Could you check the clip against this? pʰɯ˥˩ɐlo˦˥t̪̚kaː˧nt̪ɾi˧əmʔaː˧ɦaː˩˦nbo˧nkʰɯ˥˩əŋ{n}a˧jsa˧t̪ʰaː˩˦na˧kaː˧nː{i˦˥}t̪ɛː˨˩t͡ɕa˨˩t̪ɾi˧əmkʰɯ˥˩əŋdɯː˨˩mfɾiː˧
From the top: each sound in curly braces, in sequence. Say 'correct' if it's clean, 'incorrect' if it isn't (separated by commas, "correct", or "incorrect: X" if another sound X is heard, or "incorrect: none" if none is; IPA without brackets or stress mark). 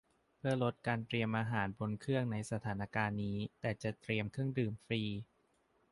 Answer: correct, incorrect: iː˦˥